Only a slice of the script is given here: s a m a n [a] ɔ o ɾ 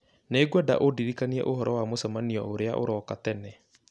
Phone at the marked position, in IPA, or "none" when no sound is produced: i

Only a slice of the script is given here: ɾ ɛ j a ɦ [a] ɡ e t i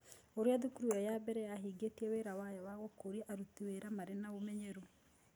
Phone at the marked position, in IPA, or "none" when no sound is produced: i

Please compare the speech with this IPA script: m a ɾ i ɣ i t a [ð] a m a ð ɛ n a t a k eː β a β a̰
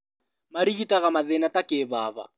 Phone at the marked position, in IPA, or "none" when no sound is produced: ɣ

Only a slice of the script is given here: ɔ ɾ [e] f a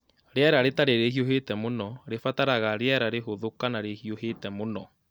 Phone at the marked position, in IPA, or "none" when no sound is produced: e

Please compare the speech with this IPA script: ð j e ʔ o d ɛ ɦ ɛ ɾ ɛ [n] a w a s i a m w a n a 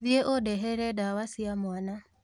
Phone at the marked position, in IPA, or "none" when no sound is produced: d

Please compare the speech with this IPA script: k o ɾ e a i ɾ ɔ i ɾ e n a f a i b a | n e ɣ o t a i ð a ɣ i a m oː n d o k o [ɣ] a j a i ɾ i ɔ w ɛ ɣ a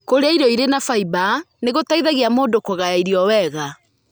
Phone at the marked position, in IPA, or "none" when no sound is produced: ɣ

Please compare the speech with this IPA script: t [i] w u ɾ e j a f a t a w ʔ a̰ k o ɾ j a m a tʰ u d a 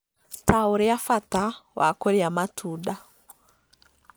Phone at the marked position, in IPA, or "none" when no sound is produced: a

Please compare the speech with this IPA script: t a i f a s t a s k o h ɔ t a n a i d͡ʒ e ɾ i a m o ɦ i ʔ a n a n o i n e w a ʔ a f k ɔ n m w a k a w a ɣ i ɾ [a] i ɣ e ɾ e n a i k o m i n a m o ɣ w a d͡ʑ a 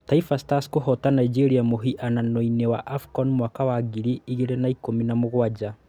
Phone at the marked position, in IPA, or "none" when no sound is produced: i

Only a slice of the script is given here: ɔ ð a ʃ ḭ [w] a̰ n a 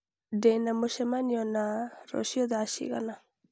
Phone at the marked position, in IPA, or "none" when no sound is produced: ɣ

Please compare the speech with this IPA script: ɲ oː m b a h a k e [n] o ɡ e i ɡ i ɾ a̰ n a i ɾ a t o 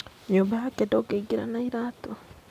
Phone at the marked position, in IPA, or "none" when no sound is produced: d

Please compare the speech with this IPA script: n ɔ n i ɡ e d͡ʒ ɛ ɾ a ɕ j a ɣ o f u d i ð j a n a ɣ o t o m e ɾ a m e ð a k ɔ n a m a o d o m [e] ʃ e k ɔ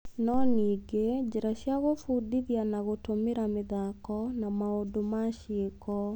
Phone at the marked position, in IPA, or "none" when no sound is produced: a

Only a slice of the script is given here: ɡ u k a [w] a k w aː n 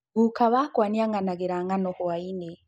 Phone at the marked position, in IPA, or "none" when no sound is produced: β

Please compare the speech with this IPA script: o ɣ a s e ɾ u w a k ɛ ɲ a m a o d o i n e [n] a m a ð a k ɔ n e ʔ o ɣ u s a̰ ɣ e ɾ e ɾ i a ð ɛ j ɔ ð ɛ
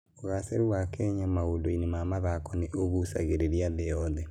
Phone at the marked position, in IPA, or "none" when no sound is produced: m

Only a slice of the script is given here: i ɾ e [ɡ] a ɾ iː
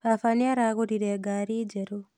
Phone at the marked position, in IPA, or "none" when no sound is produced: ɡ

